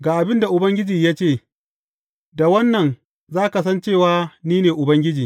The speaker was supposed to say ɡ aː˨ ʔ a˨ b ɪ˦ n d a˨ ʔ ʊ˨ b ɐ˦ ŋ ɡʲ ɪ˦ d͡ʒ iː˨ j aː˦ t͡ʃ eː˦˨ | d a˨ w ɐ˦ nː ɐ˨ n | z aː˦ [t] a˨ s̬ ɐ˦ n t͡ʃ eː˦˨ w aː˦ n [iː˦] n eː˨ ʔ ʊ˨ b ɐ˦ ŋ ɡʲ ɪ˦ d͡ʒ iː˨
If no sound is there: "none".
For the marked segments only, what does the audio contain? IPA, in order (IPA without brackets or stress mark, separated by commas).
k, iː˦